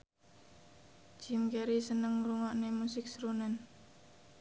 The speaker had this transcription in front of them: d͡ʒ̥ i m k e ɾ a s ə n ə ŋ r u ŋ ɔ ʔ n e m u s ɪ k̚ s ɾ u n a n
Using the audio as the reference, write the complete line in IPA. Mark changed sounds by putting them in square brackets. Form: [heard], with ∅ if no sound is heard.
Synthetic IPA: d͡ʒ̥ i m k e ɾ [i] s ə n ə ŋ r u ŋ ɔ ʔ n e m u s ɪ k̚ s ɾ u n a n